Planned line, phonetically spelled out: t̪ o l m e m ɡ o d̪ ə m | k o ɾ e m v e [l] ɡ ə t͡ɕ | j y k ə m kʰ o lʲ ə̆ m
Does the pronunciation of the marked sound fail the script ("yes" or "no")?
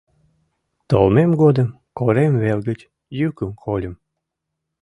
no